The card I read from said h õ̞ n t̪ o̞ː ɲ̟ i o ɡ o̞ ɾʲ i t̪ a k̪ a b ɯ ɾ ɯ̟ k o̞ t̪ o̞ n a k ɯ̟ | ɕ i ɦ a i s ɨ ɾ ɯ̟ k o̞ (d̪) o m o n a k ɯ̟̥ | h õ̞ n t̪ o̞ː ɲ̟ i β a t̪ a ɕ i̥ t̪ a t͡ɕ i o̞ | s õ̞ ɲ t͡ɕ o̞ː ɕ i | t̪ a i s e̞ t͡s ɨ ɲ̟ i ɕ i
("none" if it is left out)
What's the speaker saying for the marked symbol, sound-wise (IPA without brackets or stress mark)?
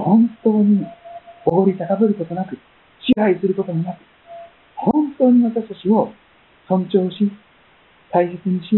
t̪